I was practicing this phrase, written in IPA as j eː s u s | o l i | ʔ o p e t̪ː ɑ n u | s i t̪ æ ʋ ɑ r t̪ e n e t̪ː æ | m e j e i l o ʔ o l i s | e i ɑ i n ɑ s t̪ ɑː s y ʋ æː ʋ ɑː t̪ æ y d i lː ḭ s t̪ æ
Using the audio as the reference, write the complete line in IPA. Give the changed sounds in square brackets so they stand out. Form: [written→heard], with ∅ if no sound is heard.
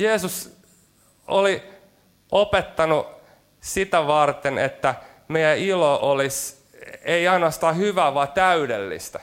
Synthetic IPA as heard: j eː s u s | o l i | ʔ o p e t̪ː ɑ n u | s i t̪ æ ʋ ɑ r t̪ e n e t̪ː æ | m e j [e→æ] i l o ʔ o l i s | e i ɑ i n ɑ s t̪ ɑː [s→h] y ʋ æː ʋ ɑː t̪ æ y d [i→e] lː ḭ s t̪ æ